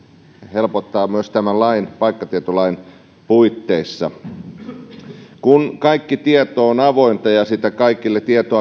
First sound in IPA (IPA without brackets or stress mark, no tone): h